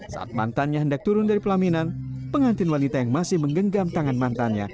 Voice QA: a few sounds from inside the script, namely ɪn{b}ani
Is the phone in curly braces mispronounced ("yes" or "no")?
yes